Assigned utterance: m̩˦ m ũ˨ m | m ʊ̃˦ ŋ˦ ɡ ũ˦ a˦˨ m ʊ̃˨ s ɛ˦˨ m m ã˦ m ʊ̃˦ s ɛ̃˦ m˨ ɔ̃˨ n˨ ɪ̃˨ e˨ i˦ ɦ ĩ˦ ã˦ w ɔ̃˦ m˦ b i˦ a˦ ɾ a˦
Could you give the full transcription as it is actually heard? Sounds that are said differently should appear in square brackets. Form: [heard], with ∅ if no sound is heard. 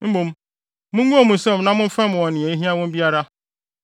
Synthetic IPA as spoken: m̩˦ m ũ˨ m | m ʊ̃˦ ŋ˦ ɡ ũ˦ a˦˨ m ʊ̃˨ s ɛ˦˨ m [n] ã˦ m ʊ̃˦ [f] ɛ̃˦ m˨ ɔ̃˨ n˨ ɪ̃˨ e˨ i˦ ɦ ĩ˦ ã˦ w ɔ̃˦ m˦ b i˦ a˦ ɾ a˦